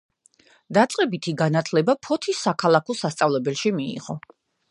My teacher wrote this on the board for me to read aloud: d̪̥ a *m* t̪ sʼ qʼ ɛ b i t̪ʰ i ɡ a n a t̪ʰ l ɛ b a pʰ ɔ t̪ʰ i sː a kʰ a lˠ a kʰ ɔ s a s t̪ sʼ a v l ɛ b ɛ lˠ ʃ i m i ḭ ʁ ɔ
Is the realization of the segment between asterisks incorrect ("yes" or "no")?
yes